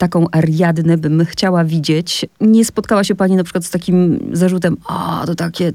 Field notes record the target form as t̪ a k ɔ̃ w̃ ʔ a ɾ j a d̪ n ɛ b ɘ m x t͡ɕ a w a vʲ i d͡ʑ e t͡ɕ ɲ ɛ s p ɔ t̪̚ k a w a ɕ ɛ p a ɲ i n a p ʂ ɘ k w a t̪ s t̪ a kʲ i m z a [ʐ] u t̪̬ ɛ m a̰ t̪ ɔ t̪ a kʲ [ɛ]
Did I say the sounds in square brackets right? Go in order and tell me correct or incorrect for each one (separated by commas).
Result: correct, correct